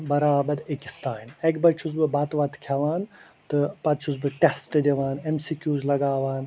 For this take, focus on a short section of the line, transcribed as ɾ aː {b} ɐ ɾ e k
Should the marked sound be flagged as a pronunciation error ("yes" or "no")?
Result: no